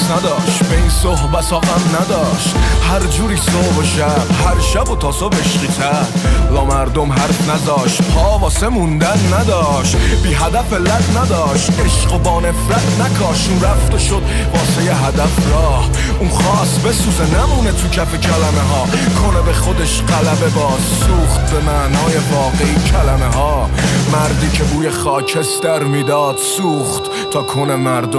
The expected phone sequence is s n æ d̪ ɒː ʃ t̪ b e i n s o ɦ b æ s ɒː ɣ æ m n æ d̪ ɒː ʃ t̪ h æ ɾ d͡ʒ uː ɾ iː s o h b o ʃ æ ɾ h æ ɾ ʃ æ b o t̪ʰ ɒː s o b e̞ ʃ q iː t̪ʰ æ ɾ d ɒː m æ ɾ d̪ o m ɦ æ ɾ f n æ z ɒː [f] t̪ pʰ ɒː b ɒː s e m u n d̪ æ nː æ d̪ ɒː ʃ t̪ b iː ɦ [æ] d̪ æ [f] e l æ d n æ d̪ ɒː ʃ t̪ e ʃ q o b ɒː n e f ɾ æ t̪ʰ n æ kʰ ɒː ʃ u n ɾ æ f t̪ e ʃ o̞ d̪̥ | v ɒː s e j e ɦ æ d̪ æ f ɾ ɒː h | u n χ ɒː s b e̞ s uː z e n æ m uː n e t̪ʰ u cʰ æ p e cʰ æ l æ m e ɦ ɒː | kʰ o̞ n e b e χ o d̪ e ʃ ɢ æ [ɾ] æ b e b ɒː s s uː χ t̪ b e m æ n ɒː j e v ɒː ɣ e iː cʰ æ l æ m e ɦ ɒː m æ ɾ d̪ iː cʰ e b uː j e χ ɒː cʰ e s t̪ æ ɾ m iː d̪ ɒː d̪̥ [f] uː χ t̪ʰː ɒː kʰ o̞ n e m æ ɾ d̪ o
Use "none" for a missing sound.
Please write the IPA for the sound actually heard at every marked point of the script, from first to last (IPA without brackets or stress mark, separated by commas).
ʃ, æ, f, l, s